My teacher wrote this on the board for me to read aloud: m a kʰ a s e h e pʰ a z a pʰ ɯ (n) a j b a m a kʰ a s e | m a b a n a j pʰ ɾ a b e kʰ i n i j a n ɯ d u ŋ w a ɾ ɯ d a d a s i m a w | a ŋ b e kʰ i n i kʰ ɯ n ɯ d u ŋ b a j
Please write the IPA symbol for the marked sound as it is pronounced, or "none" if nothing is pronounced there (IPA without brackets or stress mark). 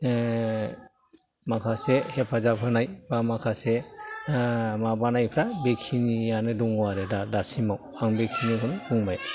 n